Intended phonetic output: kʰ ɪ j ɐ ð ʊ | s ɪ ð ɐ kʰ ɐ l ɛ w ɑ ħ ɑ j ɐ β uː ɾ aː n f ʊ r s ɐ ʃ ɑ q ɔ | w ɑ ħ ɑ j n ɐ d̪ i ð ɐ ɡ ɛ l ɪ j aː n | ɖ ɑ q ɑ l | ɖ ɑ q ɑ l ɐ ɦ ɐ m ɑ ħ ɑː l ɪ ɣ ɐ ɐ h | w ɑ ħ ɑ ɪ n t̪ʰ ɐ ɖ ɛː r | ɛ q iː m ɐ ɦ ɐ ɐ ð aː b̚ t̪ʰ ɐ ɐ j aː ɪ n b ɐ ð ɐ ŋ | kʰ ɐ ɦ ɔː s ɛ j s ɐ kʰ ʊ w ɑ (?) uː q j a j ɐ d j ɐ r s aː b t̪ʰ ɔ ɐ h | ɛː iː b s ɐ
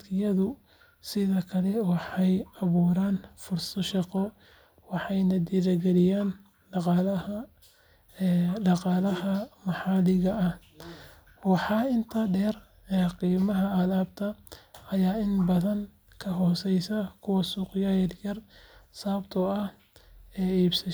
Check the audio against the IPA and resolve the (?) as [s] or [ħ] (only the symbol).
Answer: s